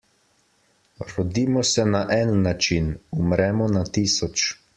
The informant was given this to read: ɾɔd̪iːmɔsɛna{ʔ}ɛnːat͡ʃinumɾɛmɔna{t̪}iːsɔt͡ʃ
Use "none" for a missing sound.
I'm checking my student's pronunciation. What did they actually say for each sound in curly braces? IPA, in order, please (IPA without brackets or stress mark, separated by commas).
ʔ, t̪